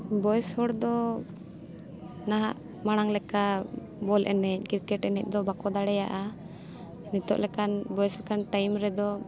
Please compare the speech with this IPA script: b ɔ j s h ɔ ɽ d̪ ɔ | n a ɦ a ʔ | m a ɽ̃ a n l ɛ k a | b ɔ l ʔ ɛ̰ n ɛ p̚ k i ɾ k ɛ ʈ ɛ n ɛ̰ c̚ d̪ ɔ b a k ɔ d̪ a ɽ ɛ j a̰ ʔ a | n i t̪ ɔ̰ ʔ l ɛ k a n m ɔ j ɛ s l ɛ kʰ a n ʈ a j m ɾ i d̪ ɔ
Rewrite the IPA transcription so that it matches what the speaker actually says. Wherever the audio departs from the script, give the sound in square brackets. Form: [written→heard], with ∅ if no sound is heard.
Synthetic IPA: b ɔ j s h ɔ ɽ d̪ ɔ | n a ɦ a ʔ | m a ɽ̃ a [n→ŋ] l ɛ k a | b ɔ l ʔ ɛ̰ n ɛ [p̚→c̚] k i ɾ k ɛ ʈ ɛ n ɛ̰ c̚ d̪ ɔ b a k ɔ d̪ a ɽ ɛ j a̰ ʔ a | n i t̪ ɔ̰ ʔ l ɛ k a n [m→b] ɔ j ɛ s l ɛ [kʰ→k] a n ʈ a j m ɾ [i→ɛ] d̪ ɔ

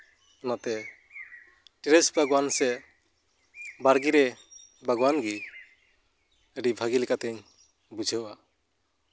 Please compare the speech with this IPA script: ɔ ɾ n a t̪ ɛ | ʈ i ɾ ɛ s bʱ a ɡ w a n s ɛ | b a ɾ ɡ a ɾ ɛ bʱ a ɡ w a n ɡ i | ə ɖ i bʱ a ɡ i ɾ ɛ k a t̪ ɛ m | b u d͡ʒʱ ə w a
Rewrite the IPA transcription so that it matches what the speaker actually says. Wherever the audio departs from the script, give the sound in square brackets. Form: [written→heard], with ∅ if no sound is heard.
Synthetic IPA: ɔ [ɾ→∅] n a t̪ ɛ | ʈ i ɾ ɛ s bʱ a ɡ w a n s ɛ | b a ɾ ɡ [a→i] ɾ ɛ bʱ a ɡ w a n ɡ i | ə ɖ i bʱ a ɡ i [ɾ→l] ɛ k a t̪ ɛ [m→ɲ] | b u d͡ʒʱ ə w a

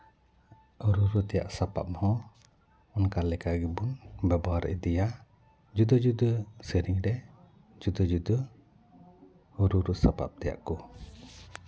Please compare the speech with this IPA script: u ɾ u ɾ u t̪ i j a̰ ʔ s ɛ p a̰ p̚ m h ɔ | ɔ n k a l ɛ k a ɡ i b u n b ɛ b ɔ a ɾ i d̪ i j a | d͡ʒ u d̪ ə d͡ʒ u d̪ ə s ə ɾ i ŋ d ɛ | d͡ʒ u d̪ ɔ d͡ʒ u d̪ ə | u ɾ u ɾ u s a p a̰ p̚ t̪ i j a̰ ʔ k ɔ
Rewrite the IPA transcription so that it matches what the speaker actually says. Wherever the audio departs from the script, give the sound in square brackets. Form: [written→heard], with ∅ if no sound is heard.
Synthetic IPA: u ɾ u ɾ u t̪ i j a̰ ʔ s [ɛ→a] p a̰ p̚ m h ɔ | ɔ n k a l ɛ k a ɡ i b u n b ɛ b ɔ a ɾ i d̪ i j a | d͡ʒ u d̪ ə d͡ʒ u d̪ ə s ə ɾ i ŋ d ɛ | d͡ʒ u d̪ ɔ d͡ʒ u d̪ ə | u ɾ u ɾ u s a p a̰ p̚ t̪ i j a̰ ʔ k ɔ

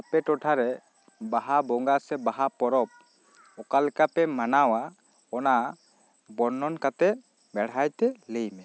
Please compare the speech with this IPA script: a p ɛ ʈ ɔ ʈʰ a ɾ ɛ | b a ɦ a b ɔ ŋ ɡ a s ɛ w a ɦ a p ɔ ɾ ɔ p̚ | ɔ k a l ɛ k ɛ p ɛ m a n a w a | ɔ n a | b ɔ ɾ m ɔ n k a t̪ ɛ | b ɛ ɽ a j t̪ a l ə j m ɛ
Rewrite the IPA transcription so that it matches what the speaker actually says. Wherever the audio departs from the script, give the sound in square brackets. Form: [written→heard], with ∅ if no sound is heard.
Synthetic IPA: a p ɛ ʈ ɔ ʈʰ a ɾ ɛ | b a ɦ a b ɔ ŋ ɡ a s ɛ [w→b] a ɦ a p ɔ ɾ ɔ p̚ | ɔ k a l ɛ k [ɛ→a] p ɛ m a n a w a | ɔ n a | b ɔ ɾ [m→n] ɔ n k a t̪ ɛ | b ɛ ɽ a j t̪ [a→ɛ] l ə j m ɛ

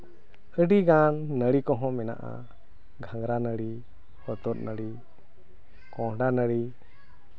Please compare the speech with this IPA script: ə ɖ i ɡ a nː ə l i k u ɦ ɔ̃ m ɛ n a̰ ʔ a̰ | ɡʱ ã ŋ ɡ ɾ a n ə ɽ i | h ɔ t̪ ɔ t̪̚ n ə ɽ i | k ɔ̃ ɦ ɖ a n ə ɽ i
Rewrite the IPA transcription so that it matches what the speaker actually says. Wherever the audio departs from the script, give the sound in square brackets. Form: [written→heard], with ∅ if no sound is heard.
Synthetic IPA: ə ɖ i ɡ a nː ə [l→ɽ] i k [u→ɔ] ɦ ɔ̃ m ɛ n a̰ ʔ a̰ | ɡʱ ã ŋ ɡ ɾ a n ə ɽ i | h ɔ t̪ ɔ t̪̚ n ə ɽ i | k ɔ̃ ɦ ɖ a n ə ɽ i

